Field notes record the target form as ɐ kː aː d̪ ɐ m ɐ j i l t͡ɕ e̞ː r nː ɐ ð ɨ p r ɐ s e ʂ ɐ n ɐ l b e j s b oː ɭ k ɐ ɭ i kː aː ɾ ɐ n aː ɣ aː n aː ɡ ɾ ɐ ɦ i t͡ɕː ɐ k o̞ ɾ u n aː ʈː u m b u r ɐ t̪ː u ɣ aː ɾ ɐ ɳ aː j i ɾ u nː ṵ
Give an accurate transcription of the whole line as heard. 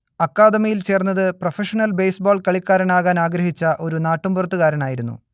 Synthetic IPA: ɐ kː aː d̪ ɐ m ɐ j i l t͡ɕ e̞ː r nː ɐ ð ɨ p r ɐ f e ʂ ɐ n ɐ l b e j s b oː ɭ k ɐ ɭ i kː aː ɾ ɐ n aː ɣ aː n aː ɡ ɾ ɐ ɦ i t͡ɕː ɐ ʔ o̞ ɾ u n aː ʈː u m b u r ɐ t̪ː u ɣ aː ɾ ɐ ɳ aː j i ɾ u nː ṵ